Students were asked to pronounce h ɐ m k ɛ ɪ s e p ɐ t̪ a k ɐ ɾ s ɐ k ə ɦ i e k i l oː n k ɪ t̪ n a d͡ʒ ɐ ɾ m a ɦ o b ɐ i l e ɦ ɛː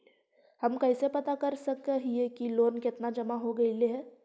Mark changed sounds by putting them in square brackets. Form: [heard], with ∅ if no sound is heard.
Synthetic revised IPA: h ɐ m k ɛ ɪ s e p ɐ t̪ a k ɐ ɾ s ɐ k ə ɦ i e k i l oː n k ɪ t̪ n a d͡ʒ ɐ [∅] m a ɦ o [ɡ] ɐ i l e ɦ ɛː